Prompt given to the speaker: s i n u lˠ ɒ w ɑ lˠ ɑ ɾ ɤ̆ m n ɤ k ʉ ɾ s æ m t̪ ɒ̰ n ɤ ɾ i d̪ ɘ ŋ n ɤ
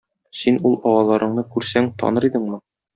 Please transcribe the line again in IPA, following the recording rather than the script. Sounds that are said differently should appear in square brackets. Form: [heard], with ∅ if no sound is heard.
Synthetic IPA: s i n u lˠ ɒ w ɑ lˠ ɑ ɾ ɤ̆ [ɴ] n ɤ k ʉ ɾ s æ [ŋ] t̪ ɒ̰ n ɤ ɾ i d̪ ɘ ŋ [m] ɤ